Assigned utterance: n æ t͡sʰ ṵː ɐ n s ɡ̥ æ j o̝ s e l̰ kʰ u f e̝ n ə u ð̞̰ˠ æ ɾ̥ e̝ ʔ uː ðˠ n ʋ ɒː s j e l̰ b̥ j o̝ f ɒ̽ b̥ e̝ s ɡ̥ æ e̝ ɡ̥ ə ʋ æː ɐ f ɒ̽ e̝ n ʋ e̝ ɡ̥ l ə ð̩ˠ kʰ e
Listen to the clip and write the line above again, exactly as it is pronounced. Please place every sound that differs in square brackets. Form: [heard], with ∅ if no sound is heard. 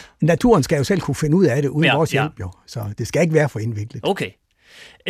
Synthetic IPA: n æ t͡sʰ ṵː ɐ n s ɡ̥ æ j o̝ s e l̰ kʰ u f e̝ n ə u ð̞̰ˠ æ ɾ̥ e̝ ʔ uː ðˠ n ʋ ɒː s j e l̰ b̥ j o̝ [s] ɒ̽ [d̥] e̝ s ɡ̥ æ e̝ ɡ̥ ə ʋ æː ɐ f ɒ̽ e̝ n ʋ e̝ ɡ̥ l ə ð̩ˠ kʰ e